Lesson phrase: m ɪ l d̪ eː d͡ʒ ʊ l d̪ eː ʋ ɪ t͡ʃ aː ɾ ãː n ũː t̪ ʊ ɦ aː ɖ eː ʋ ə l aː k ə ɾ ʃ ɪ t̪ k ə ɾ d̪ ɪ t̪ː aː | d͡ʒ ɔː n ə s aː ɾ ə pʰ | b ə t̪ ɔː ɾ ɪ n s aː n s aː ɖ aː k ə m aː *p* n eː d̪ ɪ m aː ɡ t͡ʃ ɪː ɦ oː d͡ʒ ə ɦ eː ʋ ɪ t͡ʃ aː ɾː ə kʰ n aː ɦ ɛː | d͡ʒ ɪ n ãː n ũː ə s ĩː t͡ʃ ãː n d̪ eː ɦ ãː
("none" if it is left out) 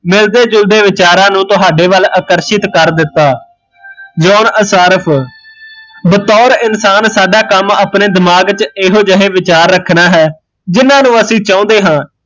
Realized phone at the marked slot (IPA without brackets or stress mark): p